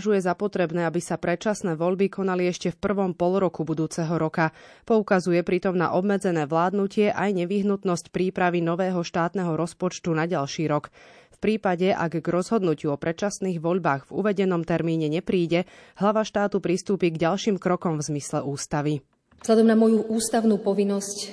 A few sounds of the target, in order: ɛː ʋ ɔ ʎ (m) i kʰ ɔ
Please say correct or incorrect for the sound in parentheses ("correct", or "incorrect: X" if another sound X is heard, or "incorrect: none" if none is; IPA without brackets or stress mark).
incorrect: b